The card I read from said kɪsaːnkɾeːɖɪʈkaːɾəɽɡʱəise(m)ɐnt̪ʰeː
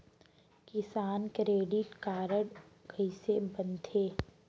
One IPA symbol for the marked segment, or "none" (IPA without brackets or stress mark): b